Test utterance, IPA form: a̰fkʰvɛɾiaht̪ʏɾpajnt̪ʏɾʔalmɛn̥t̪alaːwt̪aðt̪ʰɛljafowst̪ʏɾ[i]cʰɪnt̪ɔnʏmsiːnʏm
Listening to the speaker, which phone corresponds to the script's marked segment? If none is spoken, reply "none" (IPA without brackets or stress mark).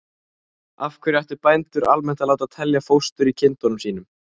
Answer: i